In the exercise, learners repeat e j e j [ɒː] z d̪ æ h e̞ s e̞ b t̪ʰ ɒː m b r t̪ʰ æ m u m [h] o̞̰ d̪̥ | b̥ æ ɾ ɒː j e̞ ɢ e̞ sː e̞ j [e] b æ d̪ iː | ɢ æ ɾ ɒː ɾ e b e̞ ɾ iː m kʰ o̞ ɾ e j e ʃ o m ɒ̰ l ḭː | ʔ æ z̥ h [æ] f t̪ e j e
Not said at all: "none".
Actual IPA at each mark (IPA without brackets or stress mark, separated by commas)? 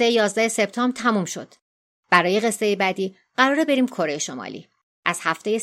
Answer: ɒː, ʃ, e, æ